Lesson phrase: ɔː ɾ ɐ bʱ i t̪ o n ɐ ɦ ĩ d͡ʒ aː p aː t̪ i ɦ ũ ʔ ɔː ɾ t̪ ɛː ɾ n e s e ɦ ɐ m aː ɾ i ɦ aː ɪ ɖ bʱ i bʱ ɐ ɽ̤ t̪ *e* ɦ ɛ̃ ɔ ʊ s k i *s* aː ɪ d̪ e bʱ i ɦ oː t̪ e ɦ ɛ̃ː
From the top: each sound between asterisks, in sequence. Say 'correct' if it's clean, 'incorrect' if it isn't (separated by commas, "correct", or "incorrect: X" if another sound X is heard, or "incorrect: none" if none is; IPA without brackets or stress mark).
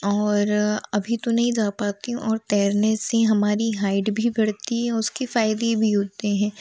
incorrect: i, incorrect: f